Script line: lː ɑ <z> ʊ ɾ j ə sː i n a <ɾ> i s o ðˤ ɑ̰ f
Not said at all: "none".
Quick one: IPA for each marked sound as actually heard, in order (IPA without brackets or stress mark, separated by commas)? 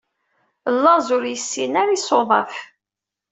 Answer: z, ɾ